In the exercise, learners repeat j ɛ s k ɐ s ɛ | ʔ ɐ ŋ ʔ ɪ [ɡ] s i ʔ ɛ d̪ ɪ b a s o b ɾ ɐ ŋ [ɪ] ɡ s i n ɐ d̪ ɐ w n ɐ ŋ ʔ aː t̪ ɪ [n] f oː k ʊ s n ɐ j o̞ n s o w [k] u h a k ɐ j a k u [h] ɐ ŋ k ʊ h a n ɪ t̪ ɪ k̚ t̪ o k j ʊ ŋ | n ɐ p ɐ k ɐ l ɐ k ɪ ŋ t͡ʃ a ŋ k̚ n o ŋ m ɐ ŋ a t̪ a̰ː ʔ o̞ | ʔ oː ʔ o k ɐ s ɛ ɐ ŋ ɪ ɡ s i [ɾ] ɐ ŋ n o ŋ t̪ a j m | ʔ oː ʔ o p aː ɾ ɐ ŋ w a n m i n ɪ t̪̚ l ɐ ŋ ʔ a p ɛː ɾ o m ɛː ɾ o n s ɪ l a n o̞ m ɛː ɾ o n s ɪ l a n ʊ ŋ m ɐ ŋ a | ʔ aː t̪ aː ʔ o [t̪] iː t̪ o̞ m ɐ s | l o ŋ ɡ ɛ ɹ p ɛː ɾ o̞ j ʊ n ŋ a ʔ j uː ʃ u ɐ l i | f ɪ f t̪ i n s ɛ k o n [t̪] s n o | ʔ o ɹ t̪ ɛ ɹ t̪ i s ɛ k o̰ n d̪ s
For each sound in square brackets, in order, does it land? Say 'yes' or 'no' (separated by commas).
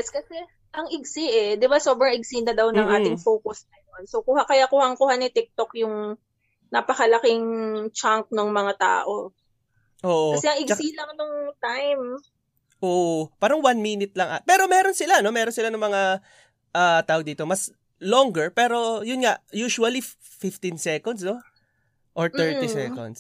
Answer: yes, yes, no, yes, yes, no, no, no